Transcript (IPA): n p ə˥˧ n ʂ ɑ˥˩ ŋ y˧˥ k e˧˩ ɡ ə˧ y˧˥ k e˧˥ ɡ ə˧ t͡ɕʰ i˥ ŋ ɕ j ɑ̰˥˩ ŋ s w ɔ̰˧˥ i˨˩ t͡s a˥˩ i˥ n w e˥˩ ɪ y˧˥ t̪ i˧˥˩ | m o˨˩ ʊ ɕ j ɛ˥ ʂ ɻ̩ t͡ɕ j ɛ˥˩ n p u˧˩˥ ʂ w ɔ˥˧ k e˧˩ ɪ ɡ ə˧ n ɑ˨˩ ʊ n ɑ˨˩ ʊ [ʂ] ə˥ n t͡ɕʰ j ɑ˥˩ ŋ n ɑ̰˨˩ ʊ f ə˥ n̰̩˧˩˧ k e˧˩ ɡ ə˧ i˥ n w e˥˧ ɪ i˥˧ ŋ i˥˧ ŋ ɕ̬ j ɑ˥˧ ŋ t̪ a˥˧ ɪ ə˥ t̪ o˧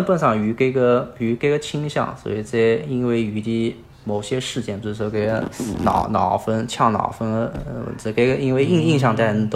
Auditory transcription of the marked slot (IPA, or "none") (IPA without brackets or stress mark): f